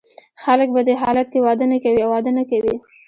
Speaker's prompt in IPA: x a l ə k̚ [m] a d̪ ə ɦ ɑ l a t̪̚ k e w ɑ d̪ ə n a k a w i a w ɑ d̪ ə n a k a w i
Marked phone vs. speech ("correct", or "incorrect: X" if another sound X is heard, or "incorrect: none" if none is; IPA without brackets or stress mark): incorrect: b